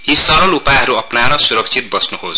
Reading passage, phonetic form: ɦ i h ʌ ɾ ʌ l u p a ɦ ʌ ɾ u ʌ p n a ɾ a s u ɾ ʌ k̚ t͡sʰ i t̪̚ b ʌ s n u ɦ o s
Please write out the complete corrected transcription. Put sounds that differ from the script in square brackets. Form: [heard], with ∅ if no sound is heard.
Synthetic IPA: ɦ i [s] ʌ ɾ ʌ l u p a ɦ ʌ ɾ u ʌ p n a ɾ [ʌ] s u ɾ ʌ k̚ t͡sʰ i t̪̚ b ʌ s n u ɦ o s